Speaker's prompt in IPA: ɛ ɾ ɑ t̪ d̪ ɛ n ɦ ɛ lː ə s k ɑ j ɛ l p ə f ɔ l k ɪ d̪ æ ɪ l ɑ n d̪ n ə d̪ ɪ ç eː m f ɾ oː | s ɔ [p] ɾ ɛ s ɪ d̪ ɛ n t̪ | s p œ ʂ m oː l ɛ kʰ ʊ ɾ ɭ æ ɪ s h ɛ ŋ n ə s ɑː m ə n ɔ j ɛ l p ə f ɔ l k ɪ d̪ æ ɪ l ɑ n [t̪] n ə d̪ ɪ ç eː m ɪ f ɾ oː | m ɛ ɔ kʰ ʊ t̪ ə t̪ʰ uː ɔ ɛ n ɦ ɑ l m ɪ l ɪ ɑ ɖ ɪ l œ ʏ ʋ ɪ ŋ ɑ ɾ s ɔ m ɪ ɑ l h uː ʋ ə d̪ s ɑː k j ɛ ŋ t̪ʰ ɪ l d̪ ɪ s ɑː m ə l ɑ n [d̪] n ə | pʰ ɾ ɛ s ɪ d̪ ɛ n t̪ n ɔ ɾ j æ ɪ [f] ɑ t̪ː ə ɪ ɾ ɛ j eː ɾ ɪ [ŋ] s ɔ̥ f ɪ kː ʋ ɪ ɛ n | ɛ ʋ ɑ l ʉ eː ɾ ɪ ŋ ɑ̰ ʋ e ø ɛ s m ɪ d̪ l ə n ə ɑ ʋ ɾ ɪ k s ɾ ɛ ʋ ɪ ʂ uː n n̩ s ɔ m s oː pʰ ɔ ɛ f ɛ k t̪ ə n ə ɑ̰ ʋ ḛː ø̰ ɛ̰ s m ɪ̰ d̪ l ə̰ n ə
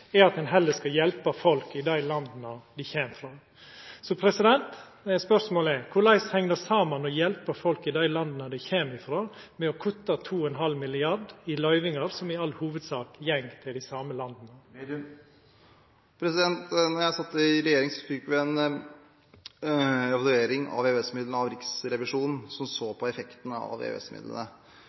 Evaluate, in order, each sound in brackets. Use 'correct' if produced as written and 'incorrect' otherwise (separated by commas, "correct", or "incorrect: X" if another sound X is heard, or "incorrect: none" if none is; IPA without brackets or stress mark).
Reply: incorrect: pʰ, incorrect: d̪, correct, incorrect: s, correct